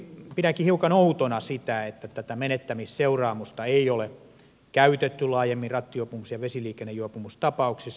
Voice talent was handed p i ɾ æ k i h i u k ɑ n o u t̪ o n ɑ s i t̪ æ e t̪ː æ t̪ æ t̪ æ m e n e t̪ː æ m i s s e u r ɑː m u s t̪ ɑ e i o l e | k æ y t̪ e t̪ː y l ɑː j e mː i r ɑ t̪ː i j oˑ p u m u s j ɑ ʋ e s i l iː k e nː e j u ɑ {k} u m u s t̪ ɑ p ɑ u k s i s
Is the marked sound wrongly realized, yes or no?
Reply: yes